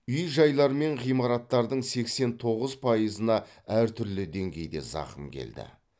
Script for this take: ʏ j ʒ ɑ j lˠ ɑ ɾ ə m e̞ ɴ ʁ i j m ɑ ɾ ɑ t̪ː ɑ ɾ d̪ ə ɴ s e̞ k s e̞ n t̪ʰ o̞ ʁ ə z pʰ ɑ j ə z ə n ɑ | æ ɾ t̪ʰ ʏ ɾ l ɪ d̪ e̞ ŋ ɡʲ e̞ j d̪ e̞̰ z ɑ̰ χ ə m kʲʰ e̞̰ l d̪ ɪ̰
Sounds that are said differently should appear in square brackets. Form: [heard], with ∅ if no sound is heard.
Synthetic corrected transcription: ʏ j ʒ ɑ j lˠ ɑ ɾ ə m e̞ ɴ ʁ i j m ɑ ɾ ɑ t̪ː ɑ ɾ d̪ ə ɴ s e̞ k s e̞ n t̪ʰ o̞ ʁ ə z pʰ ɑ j ə z ə n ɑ | æ ɾ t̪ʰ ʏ ɾ l ɪ d̪ e̞ ŋ ɡʲ e̞ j d̪ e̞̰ z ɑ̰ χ ə m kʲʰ e̞̰ l d̪ ɪ̰